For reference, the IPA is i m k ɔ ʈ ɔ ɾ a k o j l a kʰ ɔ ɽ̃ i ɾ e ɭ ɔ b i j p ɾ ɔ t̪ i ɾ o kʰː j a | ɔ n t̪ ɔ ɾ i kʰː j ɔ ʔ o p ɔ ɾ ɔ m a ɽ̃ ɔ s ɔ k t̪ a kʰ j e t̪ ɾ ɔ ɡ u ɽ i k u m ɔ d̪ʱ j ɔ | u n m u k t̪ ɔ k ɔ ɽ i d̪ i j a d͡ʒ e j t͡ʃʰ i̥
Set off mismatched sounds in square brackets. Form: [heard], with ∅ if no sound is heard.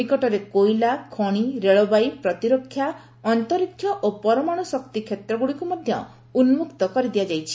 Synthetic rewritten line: i [∅] k ɔ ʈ ɔ ɾ [e] k o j l a kʰ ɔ ɽ̃ i ɾ e ɭ ɔ b [a] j p ɾ ɔ t̪ i ɾ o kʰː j a | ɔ n t̪ ɔ ɾ i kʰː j ɔ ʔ o p ɔ ɾ ɔ m a ɽ̃ ɔ s ɔ k t̪ [i] kʰ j e t̪ ɾ ɔ ɡ u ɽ i k u m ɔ d̪ʱ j ɔ | u n m u k t̪ ɔ k ɔ [ɾ] i d̪ i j a d͡ʒ [a] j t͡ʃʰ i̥